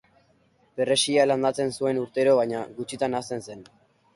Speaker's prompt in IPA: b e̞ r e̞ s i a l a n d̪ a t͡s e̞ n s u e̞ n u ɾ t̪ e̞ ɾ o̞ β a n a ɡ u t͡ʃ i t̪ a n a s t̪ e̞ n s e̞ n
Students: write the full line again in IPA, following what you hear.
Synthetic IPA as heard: b e̞ r e̞ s i a l a n d̪ a t͡s e̞ n s u e̞ n u ɾ t̪ e̞ ɾ o̞ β a ɲ a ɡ u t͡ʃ i t̪ a n a s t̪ e̞ n s e̞ n